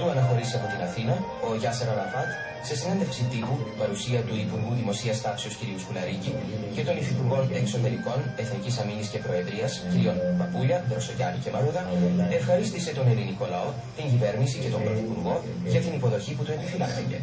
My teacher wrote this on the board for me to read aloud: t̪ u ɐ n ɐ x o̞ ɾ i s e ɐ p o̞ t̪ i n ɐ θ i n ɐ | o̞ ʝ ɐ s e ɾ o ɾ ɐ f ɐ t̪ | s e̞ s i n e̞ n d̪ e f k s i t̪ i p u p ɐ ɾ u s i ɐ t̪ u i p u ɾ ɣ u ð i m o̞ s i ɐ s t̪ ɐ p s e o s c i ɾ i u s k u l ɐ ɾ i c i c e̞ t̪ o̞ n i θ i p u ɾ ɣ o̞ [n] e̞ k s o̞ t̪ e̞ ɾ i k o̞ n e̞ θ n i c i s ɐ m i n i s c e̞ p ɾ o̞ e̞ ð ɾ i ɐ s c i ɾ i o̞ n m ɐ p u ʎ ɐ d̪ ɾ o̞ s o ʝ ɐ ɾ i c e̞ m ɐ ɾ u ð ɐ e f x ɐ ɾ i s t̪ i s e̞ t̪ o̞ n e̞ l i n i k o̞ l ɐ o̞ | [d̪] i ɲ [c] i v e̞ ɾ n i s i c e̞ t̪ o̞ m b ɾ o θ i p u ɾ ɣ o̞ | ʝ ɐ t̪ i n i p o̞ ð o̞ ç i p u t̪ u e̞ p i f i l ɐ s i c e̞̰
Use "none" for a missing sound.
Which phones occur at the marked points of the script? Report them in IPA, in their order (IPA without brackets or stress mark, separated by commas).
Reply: n, t̪, ɟ